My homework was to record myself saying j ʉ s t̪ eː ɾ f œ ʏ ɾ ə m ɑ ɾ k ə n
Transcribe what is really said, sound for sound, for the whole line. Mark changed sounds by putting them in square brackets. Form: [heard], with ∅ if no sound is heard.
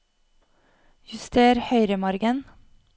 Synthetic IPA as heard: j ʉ s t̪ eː ɾ [h] œ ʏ ɾ ə m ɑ ɾ [ɡ] ə n